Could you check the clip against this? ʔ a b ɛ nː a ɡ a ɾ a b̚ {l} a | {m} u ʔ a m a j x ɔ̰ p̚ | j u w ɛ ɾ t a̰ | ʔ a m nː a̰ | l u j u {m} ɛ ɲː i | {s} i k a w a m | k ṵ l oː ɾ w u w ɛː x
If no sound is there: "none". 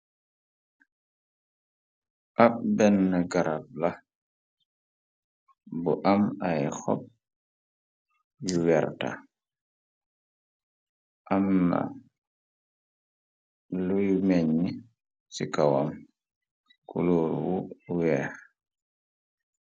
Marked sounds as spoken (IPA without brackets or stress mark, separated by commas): l, b, m, s